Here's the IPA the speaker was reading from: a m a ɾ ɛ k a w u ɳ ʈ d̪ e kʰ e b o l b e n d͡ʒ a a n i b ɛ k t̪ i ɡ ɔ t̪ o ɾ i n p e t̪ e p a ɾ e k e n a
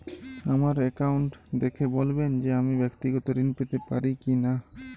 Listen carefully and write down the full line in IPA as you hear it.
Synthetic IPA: a m a ɾ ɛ k a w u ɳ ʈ d̪ e kʰ e b o l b e n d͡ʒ e a m i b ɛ k t̪ i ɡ ɔ t̪ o ɾ i n p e t̪ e p a ɾ i k i n a